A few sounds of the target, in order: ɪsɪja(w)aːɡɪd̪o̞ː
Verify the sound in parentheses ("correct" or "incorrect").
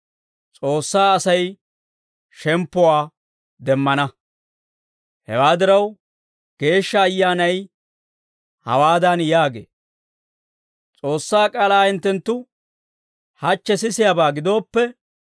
incorrect